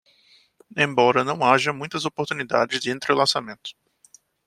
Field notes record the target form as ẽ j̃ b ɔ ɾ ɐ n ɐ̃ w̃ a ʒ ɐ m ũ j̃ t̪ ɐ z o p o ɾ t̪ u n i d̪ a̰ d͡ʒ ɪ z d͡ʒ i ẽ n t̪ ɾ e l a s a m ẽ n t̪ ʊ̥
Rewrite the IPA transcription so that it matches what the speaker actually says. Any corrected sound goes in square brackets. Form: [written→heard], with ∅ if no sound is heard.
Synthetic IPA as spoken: ẽ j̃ b ɔ ɾ ɐ n ɐ̃ w̃ a ʒ ɐ m ũ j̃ t̪ ɐ z o p o ɾ t̪ u n i d̪ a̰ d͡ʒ ɪ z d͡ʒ [i→ɪ] ẽ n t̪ ɾ e l a s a m ẽ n t̪ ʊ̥